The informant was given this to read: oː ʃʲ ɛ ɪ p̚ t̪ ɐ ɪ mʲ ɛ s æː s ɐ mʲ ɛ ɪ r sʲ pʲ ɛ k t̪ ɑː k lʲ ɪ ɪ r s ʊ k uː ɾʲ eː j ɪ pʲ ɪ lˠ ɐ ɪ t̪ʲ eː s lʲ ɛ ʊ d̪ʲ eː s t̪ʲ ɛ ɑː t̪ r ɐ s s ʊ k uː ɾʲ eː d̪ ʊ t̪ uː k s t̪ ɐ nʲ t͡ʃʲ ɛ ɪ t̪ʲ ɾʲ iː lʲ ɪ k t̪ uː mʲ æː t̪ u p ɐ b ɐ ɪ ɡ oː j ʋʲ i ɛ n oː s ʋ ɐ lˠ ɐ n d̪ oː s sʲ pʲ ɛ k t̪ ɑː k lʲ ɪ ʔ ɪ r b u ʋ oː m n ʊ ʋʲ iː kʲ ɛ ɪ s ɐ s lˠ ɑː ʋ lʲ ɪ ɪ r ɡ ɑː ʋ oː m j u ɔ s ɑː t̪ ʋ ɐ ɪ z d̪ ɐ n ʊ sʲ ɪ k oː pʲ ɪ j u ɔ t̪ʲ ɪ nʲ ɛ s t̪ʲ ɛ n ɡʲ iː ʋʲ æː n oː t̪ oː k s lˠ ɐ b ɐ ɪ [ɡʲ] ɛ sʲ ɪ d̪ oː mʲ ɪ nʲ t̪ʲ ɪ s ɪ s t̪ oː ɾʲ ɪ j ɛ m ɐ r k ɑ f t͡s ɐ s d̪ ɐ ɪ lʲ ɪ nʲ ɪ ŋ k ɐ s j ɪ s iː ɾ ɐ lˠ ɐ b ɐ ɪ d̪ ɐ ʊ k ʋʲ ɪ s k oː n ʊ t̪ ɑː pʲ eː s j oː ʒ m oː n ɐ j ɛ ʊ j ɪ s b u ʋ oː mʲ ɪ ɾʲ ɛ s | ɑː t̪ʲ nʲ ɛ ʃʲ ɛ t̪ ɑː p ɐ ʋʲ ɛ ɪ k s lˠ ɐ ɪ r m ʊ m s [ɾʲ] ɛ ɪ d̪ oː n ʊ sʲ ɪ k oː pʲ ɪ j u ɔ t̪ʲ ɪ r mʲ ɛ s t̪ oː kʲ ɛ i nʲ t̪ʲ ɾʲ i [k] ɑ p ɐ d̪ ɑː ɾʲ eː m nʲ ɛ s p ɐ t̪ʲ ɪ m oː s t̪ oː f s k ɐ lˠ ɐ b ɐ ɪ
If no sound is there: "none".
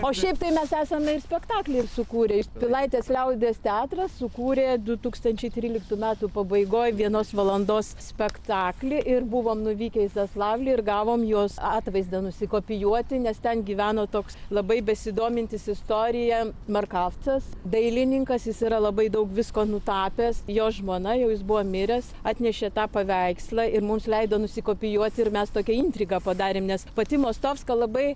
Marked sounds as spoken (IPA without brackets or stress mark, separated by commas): bʲ, lʲ, ɡ